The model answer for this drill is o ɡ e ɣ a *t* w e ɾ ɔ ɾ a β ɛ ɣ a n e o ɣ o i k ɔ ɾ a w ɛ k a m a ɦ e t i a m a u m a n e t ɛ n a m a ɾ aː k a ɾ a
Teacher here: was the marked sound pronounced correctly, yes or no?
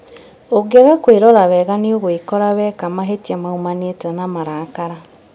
no